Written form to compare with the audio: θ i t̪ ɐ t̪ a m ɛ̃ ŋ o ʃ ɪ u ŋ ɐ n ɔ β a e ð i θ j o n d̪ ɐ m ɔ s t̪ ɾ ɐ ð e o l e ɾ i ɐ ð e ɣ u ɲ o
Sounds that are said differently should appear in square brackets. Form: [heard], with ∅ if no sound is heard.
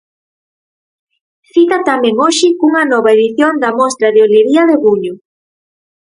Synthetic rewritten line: θ i t̪ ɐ t̪ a m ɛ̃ ŋ o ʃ ɪ u ŋ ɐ n ɔ β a e ð i θ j o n d̪ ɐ m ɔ s t̪ ɾ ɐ ð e o l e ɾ i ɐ ð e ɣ u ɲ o